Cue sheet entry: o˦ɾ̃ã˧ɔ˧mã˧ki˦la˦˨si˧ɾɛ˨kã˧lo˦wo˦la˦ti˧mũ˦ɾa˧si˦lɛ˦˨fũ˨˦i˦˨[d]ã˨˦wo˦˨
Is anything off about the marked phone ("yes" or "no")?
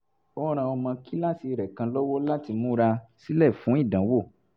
no